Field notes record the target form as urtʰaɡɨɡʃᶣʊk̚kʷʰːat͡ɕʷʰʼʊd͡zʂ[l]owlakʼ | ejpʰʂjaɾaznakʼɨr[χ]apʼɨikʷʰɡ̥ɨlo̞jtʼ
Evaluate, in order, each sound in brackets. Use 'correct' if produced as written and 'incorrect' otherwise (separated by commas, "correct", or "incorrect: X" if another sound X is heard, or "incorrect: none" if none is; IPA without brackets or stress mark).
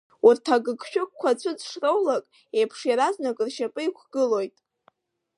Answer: incorrect: r, incorrect: ʃ